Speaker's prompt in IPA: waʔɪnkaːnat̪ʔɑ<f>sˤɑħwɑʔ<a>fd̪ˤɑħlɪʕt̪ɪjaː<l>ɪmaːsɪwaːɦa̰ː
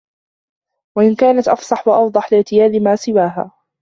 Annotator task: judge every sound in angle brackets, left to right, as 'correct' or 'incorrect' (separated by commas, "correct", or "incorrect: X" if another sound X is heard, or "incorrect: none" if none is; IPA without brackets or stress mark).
correct, incorrect: ɑ, correct